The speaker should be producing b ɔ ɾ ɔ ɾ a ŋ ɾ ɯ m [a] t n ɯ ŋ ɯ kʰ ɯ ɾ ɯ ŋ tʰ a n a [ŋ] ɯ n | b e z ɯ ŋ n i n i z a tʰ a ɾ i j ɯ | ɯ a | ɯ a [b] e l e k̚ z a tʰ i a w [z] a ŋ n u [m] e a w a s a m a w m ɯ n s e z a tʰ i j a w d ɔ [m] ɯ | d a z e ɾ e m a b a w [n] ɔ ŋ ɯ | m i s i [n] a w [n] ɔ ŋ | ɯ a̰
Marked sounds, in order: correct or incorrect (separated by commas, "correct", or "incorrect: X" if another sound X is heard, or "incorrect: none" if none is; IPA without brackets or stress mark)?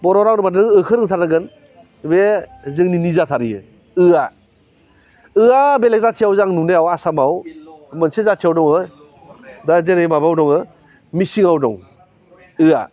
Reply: correct, incorrect: ɡ, correct, correct, incorrect: n, incorrect: ŋ, incorrect: d, incorrect: ŋ, incorrect: d